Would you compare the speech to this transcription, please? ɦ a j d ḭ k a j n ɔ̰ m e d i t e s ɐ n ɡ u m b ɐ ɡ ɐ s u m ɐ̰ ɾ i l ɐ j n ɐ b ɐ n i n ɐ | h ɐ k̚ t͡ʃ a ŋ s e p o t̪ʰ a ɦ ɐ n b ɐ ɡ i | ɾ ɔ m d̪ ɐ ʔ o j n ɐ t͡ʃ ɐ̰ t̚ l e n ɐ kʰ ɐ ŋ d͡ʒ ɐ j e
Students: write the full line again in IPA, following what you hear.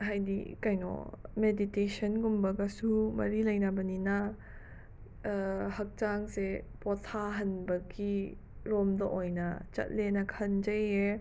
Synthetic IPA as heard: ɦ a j d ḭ k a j n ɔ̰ m e d i t e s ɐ n ɡ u m b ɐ ɡ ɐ s u m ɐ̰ ɾ i l ɐ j n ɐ b ɐ n i n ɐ | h ɐ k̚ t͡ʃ a ŋ s e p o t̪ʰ a ɦ ɐ n b ɐ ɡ i | ɾ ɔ m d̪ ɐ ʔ o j n ɐ t͡ʃ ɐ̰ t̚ l e n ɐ kʰ ɐ n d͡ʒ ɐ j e